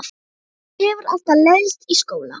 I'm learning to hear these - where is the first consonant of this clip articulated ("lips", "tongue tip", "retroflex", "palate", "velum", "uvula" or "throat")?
lips